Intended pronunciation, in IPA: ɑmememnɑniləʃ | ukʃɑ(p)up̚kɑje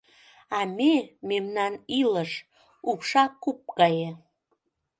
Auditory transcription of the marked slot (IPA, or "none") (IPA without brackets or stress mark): k